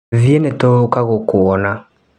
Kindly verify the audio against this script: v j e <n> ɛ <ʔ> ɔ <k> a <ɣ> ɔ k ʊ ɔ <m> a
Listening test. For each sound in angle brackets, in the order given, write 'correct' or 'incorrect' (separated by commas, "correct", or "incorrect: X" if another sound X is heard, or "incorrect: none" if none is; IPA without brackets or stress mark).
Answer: correct, incorrect: t, correct, correct, incorrect: n